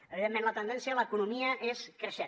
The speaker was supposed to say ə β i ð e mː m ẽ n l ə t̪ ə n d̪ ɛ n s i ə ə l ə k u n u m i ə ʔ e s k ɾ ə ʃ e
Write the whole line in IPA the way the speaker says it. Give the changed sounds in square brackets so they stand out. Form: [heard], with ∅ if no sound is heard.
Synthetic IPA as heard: ə β i ð e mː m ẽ n l ə t̪ ə n d̪ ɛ n s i ə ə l ə k u n u m i ə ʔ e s k ɾ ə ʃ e